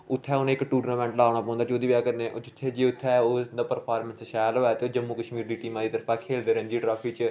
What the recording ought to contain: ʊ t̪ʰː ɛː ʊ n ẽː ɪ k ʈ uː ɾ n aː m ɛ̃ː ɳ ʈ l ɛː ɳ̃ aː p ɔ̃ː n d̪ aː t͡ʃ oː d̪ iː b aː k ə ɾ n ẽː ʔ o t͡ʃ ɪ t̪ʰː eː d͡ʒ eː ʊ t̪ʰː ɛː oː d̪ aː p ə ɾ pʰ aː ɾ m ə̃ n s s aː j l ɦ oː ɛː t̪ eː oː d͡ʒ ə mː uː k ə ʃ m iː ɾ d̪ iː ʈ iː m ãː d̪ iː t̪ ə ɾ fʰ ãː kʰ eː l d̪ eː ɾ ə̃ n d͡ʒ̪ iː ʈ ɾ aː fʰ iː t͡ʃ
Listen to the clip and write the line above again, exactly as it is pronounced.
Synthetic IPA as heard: ʊ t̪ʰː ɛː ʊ n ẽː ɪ k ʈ uː ɾ n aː m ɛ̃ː ɳ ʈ l aː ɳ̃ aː p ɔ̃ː n d̪ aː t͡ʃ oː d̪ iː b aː k ə ɾ n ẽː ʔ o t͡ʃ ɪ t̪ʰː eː d͡ʒ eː ʊ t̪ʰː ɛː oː d̪ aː p ə ɾ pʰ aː ɾ m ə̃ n s ʃ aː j l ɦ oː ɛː t̪ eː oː d͡ʒ ə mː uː k ə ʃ m iː ɾ d̪ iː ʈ iː m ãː d̪ iː t̪ ə ɾ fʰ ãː kʰ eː l d̪ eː ɾ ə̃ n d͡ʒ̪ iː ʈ ɾ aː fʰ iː t͡ʃ